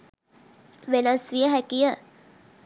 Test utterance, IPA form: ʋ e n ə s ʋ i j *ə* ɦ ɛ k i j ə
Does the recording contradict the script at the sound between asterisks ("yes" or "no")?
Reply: no